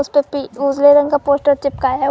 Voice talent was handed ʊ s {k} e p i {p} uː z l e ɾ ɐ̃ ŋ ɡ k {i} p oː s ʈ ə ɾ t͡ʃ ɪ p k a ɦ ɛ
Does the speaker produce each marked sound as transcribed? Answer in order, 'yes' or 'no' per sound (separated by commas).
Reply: no, no, no